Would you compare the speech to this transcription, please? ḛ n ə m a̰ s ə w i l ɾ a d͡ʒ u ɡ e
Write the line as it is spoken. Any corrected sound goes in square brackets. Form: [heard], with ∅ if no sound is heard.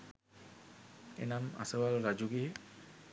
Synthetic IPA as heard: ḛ n [a] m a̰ s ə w [a] l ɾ a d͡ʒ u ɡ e